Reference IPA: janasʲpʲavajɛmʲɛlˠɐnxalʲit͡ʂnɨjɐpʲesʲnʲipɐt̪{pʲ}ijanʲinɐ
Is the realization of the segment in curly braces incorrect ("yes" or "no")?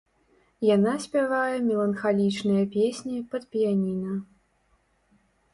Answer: no